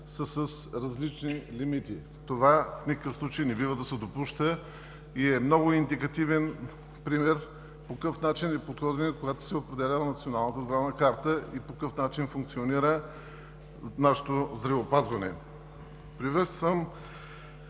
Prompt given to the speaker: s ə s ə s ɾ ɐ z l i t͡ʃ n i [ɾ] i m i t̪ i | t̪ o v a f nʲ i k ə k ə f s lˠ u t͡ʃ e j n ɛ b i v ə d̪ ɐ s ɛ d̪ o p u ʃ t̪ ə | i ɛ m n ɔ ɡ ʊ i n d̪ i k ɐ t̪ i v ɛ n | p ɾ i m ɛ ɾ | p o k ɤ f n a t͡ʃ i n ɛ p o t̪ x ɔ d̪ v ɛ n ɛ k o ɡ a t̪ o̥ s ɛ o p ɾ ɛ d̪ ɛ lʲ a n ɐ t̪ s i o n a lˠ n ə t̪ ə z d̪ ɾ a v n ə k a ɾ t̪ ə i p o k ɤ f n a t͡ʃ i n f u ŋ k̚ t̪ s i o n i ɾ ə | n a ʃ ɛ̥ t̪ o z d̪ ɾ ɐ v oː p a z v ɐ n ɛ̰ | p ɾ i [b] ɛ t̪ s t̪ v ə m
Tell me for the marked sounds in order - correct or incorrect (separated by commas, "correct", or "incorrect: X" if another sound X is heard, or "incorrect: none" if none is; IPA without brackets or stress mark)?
incorrect: l, incorrect: v